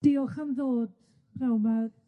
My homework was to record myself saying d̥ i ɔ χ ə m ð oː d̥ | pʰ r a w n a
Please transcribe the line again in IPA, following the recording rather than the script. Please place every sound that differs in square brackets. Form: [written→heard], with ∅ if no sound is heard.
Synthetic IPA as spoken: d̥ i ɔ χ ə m ð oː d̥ | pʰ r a w [n→m] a